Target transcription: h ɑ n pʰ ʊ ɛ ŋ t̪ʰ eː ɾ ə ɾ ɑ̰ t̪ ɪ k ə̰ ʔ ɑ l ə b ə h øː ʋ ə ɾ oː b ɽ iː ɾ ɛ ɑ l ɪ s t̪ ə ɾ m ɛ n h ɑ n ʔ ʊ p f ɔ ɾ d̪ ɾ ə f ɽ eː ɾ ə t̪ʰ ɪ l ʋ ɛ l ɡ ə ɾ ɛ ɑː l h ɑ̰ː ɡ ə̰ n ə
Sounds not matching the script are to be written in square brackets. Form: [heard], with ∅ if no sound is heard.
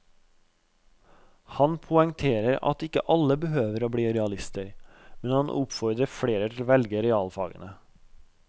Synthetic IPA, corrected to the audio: h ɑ n pʰ ʊ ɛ ŋ t̪ʰ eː ɾ ə ɾ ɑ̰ t̪ ɪ k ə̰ ʔ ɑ l ə b ə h øː ʋ ə ɾ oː b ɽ iː ɾ ɛ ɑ l ɪ s t̪ ə ɾ m ɛ n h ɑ n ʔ ʊ p f ɔ ɾ d̪ ɾ ə f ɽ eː ɾ ə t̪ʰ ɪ l ʋ ɛ l ɡ ə ɾ ɛ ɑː l [f] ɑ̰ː ɡ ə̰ n ə